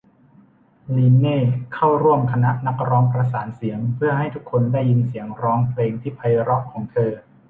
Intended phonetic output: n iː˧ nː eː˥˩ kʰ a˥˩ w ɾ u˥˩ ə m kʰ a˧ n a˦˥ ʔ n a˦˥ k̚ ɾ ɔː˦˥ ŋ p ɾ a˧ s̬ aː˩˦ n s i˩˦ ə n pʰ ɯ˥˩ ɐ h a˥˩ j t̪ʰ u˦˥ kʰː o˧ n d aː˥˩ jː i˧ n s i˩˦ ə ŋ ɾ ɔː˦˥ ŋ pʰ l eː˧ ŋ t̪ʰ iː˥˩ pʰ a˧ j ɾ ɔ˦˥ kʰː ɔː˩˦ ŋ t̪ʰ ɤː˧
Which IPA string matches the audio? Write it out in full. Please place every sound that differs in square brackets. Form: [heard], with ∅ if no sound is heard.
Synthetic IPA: n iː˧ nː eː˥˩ kʰ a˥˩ w ɾ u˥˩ ə m kʰ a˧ n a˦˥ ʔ n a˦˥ k̚ ɾ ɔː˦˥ ŋ p ɾ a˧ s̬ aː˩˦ n s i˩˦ ə [ŋ] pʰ ɯ˥˩ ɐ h a˥˩ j t̪ʰ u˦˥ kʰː o˧ n d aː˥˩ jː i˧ n s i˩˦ ə ŋ ɾ ɔː˦˥ ŋ pʰ l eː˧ ŋ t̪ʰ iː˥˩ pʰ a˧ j ɾ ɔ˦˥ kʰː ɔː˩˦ ŋ t̪ʰ ɤː˧